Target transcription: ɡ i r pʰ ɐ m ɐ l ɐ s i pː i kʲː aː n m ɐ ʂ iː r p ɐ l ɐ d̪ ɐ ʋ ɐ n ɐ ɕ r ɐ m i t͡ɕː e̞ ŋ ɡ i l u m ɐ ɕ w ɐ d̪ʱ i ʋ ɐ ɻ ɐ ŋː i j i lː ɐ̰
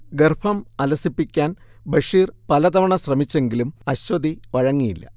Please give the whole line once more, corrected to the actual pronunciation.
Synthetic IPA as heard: ɡ e r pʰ ɐ m ɐ l ɐ s i pː i kʲː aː n b ɐ ʂ iː r p ɐ l ɐ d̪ ɐ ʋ ɐ ɳ ɐ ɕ r ɐ m i t͡ɕː e̞ ŋ ɡ i l u m ɐ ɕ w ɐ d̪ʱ i ʋ ɐ ɻ ɐ ŋː i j i lː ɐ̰